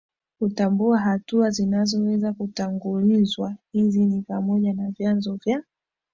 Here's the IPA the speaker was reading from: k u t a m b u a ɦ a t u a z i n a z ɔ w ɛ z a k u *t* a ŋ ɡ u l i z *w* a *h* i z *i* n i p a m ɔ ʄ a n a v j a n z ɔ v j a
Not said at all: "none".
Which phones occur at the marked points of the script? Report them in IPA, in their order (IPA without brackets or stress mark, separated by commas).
t, w, h, i